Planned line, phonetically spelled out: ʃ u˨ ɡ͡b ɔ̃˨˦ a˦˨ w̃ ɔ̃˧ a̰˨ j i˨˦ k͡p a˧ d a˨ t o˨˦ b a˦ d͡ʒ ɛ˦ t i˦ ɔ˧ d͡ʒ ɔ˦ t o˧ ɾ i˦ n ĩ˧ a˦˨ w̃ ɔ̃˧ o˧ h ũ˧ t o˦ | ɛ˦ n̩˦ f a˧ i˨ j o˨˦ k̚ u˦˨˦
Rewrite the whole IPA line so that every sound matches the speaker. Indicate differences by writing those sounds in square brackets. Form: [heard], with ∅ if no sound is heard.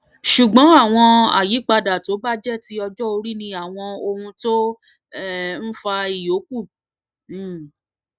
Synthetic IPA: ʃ u˨ ɡ͡b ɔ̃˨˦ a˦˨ w̃ ɔ̃˧ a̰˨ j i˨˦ k͡p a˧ d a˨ t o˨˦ b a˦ d͡ʒ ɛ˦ t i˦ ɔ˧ d͡ʒ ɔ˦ [∅] o˧ ɾ i˦ n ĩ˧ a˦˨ w̃ ɔ̃˧ o˧ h ũ˧ t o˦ | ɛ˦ n̩˦ f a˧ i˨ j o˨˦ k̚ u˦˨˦